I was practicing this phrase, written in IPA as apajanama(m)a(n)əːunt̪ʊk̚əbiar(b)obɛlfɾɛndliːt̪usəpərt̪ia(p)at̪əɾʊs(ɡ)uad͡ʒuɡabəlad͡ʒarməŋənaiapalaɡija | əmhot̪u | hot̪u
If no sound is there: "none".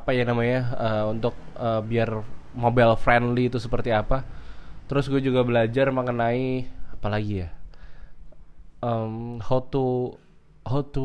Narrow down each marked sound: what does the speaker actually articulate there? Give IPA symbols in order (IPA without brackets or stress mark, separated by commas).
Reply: ɲ, none, m, p, ɡ